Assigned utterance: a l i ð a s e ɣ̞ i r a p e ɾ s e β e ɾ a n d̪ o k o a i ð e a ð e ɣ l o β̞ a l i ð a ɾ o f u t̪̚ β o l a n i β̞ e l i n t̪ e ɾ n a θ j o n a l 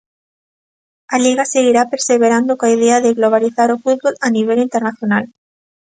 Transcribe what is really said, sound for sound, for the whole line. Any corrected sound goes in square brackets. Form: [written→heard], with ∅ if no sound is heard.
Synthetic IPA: a l i [ð→ɣ] a s e ɣ̞ i [r→ɾ] a p e ɾ s e β e ɾ a n d̪ o k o a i ð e a ð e ɣ l o β̞ a l i [ð→θ] a ɾ o f u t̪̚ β o l a n i β̞ e l i n t̪ e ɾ n a θ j o n a l